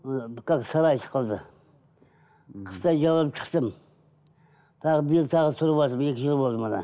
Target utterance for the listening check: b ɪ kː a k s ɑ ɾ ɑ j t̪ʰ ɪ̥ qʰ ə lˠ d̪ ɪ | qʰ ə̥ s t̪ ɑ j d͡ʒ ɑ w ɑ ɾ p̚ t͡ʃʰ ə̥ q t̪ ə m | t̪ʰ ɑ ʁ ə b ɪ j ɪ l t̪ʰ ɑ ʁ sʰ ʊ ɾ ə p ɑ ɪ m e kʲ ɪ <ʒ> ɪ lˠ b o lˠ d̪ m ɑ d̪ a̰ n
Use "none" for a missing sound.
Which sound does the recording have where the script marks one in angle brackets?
ʒ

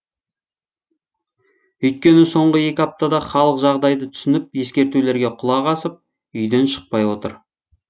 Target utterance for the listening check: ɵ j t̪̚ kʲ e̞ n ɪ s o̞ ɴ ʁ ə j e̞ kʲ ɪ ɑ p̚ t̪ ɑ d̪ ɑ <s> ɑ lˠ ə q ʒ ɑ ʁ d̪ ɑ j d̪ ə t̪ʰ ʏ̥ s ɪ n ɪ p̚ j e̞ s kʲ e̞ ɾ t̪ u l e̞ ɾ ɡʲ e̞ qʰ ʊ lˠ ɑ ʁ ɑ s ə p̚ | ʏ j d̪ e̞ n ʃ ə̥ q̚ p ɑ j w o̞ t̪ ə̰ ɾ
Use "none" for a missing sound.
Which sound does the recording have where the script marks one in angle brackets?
χ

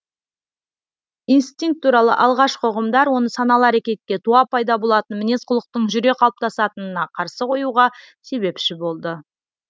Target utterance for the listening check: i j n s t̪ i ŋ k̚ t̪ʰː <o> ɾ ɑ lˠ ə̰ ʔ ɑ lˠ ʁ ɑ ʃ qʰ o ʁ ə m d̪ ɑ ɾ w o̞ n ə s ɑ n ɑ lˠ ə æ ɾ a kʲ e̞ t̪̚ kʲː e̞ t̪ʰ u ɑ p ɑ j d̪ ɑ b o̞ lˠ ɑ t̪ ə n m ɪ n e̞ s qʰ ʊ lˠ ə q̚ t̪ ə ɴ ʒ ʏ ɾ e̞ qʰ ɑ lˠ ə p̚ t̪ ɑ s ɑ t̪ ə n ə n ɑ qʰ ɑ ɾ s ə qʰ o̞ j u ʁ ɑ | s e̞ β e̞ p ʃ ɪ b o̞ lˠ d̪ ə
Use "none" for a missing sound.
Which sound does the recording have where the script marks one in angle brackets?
u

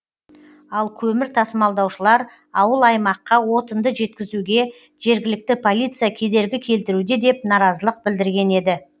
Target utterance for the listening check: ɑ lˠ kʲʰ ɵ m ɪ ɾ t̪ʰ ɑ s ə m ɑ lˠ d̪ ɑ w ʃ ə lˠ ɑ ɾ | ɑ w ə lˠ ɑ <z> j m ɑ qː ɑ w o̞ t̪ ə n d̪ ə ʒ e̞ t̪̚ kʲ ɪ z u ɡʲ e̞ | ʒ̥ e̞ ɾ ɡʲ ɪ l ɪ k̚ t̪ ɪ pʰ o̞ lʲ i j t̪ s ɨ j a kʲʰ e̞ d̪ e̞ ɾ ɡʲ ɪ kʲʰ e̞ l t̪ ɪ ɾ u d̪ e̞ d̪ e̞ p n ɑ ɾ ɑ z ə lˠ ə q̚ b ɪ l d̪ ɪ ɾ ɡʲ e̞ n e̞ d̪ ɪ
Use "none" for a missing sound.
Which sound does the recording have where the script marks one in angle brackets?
none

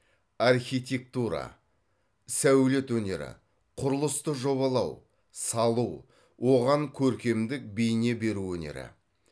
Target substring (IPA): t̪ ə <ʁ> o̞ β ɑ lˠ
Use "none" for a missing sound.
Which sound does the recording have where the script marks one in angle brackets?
ʒ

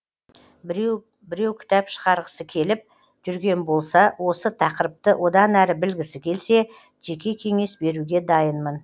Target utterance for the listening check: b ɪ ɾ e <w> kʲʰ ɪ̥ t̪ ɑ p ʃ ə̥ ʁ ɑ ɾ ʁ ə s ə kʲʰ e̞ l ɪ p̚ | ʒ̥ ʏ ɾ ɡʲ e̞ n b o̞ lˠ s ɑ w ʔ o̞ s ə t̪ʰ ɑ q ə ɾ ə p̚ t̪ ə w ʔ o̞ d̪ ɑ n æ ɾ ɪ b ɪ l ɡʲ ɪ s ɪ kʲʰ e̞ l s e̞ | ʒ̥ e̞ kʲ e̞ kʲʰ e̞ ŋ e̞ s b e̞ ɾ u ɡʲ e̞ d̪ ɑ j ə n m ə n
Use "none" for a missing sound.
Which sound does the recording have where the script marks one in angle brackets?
w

